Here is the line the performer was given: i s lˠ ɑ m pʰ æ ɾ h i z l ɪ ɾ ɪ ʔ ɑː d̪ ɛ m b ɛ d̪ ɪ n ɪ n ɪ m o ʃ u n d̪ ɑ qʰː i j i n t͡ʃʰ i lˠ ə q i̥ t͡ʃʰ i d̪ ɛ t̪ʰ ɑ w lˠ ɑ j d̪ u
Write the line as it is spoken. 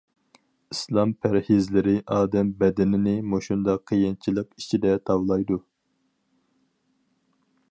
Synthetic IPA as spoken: i s lˠ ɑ m pʰ æ ɾ h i z l ɪ ɾ ɪ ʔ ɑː d̪ ɛ m b ɛ d̪ ɪ n ɪ n ɪ m o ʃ u n d̪ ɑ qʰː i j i n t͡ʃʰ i lˠ ə q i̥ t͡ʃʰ i d̪ ɛ t̪ʰ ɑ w lˠ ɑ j d̪ u

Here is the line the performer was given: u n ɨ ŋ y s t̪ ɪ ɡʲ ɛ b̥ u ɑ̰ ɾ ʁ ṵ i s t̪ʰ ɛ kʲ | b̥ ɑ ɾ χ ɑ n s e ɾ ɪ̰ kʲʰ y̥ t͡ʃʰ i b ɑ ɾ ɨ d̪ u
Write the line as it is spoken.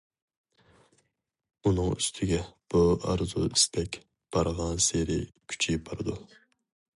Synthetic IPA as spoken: u n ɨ ŋ y s t̪ʰ ɪ ɡʲ ɛ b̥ u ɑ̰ ɾ z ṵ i s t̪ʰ ɛ kʲ | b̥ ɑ ɾ ʁ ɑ n s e ɾ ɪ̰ kʲʰ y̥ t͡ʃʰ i b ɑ ɾ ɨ d̪ u

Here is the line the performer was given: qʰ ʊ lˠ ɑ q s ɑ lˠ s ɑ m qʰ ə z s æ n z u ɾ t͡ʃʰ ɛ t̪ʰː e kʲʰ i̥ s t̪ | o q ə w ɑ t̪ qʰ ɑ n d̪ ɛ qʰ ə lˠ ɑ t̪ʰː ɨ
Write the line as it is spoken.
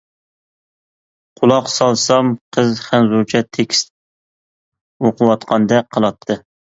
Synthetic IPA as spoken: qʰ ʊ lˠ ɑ q s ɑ lˠ s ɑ m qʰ ə z χ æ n z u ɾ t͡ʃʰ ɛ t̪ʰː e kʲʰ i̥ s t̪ | o q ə w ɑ t̪ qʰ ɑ n d̪ ɛ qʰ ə lˠ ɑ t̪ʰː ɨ

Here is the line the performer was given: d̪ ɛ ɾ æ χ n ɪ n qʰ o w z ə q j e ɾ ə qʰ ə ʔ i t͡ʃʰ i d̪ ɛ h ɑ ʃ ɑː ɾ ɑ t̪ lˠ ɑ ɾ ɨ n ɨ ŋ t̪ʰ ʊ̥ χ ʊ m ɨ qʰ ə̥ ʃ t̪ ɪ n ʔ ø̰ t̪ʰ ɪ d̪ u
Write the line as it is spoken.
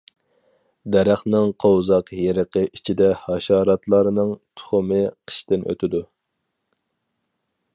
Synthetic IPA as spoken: d̪ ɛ ɾ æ χ n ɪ ŋ qʰ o w z ɑ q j e ɾ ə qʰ ə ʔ i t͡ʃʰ i d̪ ɛ h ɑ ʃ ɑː ɾ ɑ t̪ lˠ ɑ ɾ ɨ n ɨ ŋ t̪ʰ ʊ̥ χ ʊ m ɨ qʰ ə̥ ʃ t̪ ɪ n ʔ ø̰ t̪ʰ ɪ d̪ u

